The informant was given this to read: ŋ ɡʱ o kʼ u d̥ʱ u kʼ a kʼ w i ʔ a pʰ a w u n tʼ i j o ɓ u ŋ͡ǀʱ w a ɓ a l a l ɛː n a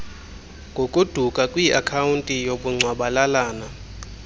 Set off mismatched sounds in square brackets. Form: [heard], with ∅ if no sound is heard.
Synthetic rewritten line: ŋ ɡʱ o kʼ u d̥ʱ u kʼ a kʼ w i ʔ a [kʰ] a w u n tʼ i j o ɓ u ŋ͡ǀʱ w a ɓ a l a l [aː] n a